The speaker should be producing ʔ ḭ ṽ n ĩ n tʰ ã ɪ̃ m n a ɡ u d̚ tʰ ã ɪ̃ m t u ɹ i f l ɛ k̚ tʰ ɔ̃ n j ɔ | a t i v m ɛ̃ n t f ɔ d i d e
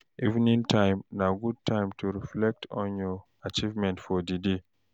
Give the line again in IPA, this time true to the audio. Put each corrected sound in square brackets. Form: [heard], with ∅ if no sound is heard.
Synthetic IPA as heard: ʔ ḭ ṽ n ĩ n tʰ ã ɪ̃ m n a ɡ u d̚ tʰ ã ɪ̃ m t u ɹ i f l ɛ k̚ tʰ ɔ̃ n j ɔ | a [t͡ʃ] i v m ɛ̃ n t f ɔ d i d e